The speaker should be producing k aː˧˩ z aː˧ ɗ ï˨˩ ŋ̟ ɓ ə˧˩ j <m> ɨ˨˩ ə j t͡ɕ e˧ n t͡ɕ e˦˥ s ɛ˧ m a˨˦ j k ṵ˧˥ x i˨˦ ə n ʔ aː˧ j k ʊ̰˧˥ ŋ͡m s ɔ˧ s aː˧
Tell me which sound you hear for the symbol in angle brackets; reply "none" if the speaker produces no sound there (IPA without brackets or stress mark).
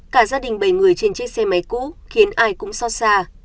ŋ